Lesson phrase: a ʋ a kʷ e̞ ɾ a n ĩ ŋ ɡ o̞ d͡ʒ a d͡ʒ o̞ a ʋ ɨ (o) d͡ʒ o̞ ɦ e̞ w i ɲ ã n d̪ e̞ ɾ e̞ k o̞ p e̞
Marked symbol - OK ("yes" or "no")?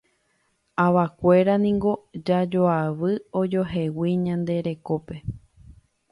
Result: yes